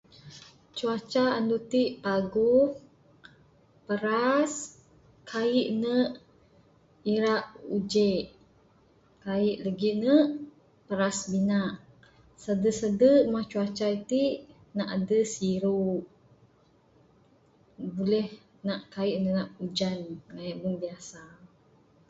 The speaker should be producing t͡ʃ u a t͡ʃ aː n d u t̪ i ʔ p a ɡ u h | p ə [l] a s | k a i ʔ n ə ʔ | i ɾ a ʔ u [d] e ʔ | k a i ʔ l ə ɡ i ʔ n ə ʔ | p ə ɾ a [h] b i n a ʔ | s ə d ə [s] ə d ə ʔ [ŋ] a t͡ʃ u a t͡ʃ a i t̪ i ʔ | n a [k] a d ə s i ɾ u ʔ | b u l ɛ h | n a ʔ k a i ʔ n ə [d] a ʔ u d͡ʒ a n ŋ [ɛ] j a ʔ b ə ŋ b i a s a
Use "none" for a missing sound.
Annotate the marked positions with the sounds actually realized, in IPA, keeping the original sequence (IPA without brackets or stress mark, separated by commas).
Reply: ɾ, d͡ʒ, s, s, m, ʔ, n, a